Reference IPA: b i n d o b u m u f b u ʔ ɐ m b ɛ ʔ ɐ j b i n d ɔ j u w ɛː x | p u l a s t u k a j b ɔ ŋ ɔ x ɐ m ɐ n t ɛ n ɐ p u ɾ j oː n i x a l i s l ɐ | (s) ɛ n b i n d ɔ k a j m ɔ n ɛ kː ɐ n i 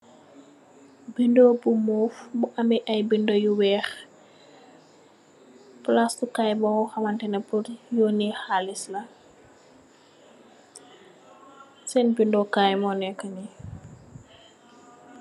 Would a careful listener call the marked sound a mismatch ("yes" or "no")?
no